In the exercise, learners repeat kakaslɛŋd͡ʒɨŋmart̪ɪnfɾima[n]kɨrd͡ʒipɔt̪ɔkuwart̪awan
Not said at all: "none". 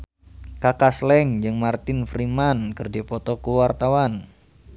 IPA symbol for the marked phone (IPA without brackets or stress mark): n